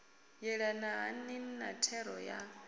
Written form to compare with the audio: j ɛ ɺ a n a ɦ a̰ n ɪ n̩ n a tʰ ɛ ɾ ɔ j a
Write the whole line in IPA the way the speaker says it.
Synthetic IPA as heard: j ɛ ɺ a n a ɦ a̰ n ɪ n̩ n a tʰ ɛ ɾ ɔ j a